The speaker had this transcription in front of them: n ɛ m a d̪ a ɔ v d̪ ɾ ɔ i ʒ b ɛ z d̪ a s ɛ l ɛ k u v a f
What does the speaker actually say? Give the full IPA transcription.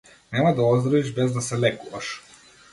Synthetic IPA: n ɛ m a d̪ a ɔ z d̪ ɾ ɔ i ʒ b ɛ z d̪ a s ɛ l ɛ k u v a ʃ